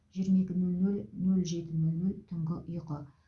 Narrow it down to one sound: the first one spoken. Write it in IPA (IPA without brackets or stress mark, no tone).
ʒ